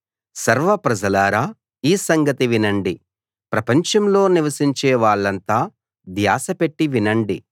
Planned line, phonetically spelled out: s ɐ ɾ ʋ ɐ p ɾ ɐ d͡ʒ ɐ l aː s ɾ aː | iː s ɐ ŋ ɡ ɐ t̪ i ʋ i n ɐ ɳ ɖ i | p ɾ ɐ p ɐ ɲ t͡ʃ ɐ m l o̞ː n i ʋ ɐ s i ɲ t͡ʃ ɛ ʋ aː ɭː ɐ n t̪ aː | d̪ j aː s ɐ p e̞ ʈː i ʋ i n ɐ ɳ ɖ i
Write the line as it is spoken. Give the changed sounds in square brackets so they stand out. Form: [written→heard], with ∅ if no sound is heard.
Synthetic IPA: s ɐ ɾ ʋ ɐ p ɾ ɐ d͡ʒ ɐ l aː [s→∅] ɾ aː | iː s ɐ ŋ ɡ ɐ t̪ i ʋ i n ɐ ɳ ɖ i | p ɾ ɐ p ɐ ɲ t͡ʃ ɐ m l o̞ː n i ʋ ɐ s i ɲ t͡ʃ [ɛ→ɛː] ʋ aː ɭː ɐ n t̪ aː | d̪ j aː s ɐ p e̞ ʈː i ʋ i n ɐ ɳ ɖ i